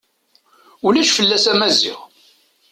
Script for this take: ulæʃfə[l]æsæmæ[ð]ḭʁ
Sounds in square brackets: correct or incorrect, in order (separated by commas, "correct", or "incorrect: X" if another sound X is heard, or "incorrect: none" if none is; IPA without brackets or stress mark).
incorrect: lː, incorrect: z